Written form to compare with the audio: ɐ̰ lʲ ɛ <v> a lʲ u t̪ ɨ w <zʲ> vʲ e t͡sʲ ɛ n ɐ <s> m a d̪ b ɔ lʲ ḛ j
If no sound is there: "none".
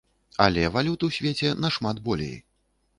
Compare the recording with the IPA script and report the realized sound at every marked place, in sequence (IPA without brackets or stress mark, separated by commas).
v, sʲ, ʂ